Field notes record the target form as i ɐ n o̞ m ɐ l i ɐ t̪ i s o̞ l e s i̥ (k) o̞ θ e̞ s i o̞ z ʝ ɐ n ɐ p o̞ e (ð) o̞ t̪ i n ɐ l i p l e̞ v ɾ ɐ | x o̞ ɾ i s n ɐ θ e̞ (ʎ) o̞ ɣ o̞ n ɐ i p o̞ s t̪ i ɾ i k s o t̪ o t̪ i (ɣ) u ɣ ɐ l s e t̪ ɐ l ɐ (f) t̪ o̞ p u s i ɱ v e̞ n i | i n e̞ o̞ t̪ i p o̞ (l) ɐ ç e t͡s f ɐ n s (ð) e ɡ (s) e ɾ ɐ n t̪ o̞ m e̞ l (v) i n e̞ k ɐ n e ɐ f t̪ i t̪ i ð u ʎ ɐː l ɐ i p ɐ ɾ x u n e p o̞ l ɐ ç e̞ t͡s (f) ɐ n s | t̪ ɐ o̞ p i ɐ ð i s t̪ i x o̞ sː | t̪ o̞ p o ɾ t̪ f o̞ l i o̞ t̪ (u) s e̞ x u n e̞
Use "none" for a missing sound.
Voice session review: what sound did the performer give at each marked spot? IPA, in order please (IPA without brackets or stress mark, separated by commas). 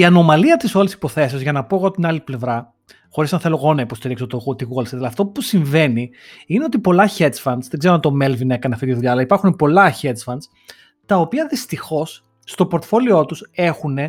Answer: p, ɣ, l, ɣ, f, l, ð, z, v, f, u